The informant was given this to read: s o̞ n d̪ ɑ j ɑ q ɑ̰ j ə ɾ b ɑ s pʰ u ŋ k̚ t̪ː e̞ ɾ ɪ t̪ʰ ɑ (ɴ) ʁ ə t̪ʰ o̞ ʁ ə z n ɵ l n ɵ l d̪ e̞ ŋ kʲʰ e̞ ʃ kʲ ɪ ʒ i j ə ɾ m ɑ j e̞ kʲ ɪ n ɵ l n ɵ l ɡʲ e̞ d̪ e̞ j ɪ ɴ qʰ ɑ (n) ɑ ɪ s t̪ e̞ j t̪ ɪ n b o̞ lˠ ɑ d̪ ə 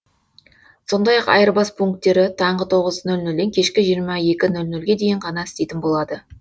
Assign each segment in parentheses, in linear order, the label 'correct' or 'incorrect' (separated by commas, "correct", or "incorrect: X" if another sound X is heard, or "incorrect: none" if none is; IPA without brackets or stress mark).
correct, correct